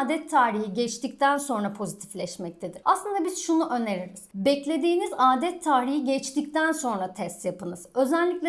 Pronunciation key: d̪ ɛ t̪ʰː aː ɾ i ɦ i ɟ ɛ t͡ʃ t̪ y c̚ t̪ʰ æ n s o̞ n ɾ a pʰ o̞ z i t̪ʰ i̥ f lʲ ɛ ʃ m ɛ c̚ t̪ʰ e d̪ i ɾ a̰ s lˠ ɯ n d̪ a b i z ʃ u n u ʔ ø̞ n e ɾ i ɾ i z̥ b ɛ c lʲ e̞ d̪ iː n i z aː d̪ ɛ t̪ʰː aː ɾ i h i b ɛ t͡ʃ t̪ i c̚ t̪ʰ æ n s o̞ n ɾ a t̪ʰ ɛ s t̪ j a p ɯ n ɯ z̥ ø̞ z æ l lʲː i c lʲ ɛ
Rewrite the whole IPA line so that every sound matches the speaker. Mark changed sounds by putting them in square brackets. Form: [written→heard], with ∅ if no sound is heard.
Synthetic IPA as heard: d̪ ɛ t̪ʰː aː ɾ i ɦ i ɟ ɛ t͡ʃ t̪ [y→i] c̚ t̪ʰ æ n s o̞ n ɾ a pʰ o̞ z i t̪ʰ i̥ f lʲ ɛ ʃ m ɛ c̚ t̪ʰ e d̪ i ɾ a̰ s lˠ ɯ n d̪ a b i z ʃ u n u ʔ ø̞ n e ɾ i ɾ i z̥ b ɛ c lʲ e̞ d̪ iː n i z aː d̪ ɛ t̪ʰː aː ɾ i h i [b→ɟ] ɛ t͡ʃ t̪ i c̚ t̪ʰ æ n s o̞ n ɾ a t̪ʰ ɛ s t̪ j a p ɯ n ɯ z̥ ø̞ z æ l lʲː i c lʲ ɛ